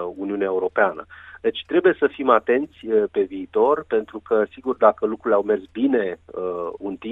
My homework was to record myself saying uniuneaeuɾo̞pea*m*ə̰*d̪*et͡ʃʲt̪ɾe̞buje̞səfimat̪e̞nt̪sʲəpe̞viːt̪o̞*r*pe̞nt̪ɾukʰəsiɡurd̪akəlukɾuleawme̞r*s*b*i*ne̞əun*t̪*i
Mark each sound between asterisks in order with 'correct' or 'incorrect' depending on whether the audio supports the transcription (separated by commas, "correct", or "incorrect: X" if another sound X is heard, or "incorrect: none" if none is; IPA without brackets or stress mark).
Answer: incorrect: n, correct, correct, correct, correct, correct